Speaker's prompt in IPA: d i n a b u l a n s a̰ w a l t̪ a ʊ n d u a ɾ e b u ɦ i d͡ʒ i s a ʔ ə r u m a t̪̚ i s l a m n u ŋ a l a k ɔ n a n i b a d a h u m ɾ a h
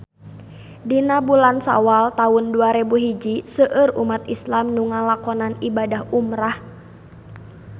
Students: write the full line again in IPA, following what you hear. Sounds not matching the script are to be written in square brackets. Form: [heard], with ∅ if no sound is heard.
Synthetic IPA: d i n a b u l a n s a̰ w a l t̪ a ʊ n d u a ɾ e b u ɦ i d͡ʒ i s [ə] ʔ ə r u m a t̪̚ i s l a m n u ŋ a l a k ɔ n a n i b a d a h u m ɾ a h